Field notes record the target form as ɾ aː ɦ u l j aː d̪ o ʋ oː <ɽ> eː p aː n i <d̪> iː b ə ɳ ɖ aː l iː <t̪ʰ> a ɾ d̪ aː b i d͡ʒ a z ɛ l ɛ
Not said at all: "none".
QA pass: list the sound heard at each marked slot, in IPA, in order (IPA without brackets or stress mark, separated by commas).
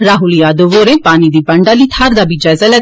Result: ɾ, d̪, t̪ʰ